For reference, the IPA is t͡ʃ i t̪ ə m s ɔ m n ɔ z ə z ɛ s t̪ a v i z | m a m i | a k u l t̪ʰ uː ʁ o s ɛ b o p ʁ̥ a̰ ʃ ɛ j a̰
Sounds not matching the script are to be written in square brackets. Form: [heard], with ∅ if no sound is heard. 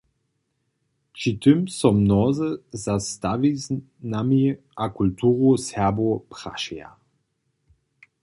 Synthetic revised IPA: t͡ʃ i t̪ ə m s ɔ m n ɔ z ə z [a] s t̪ a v i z | [n] a m i | a k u l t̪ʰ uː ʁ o s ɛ b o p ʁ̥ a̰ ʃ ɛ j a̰